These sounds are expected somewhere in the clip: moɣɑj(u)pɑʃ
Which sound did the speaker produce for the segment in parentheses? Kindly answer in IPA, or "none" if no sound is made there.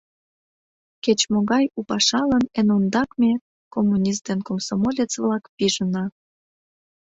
u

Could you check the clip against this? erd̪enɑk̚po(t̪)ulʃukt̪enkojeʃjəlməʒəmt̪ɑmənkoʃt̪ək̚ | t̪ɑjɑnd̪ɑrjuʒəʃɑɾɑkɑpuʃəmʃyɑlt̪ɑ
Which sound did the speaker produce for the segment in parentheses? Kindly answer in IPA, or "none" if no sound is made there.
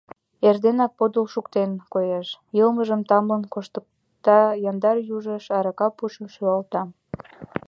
d̪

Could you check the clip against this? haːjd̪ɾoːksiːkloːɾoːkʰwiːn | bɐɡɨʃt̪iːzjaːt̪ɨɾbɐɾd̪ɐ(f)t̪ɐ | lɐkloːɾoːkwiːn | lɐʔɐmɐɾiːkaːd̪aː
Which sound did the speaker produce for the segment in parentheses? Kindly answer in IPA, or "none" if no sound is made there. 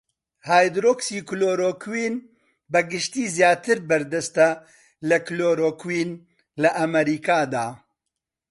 s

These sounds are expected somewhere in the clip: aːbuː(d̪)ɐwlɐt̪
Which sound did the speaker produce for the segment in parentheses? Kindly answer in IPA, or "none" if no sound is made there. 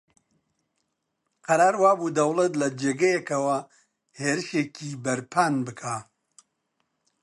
d̪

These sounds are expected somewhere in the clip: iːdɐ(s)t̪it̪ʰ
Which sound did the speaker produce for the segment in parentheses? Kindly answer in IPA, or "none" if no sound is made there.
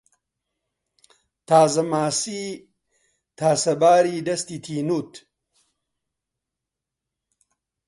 s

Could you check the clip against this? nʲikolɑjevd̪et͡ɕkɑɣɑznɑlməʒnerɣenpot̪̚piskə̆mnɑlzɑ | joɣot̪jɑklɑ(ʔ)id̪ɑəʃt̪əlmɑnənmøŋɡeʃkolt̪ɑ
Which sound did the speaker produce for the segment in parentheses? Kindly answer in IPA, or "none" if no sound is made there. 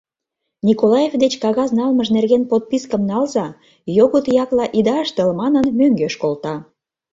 ʔ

